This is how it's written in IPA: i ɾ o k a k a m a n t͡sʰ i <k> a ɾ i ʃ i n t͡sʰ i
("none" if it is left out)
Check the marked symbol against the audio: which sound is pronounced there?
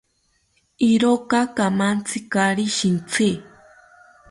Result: k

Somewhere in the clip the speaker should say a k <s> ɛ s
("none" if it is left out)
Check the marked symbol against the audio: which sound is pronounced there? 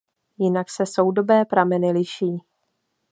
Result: s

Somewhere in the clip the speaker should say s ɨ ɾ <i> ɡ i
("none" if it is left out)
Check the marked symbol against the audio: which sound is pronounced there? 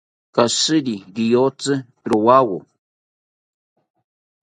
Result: i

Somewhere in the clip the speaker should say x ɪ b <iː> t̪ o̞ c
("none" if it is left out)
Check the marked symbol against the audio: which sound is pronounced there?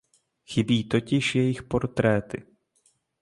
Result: iː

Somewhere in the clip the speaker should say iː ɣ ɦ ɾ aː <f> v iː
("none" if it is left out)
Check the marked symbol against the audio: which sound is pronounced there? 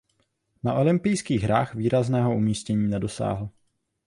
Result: x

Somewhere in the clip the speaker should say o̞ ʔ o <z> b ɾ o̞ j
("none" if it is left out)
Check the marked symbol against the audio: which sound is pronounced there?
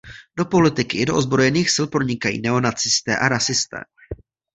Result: z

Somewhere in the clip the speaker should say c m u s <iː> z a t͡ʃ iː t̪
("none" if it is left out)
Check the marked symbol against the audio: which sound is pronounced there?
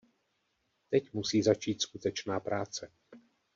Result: iː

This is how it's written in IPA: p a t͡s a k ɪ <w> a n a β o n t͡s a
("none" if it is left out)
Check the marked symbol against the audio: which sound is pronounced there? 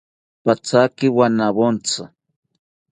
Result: w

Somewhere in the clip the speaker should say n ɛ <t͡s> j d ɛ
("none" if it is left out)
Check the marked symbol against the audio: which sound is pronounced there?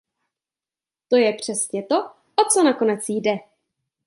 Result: t͡s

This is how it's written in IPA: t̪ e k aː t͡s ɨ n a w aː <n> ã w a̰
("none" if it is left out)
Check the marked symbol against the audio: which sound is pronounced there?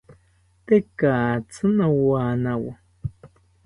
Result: n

